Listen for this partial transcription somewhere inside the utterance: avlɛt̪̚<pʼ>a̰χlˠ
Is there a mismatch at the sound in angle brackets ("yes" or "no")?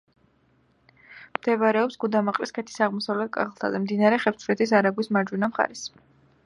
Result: yes